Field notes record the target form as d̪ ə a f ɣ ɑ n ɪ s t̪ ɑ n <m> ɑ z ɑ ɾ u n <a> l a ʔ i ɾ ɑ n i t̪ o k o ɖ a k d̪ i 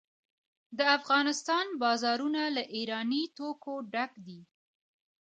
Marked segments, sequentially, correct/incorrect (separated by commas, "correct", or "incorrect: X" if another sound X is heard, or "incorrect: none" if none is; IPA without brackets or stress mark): incorrect: b, correct